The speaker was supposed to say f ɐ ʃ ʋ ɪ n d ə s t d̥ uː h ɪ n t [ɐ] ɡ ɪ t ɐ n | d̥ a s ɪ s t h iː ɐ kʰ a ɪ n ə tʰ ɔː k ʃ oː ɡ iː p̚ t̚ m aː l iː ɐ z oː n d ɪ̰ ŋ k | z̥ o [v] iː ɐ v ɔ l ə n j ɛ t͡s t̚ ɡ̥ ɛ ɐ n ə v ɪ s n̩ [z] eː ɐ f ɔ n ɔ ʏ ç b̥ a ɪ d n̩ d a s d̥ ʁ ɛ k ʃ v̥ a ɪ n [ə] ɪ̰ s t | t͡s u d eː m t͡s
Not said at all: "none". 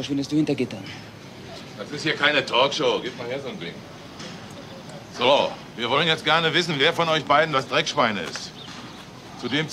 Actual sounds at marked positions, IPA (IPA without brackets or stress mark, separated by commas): ɐ, v, v, ə